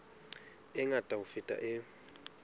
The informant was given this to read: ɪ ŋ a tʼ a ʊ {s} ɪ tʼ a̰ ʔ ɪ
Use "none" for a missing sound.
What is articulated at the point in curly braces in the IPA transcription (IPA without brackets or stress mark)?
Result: f